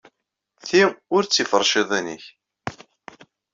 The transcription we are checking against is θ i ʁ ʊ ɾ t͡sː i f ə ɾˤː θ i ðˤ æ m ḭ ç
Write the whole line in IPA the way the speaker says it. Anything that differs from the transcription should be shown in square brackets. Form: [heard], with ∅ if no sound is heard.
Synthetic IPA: θ i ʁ ʊ ɾ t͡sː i f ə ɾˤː [ʃ] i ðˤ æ [n] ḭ ç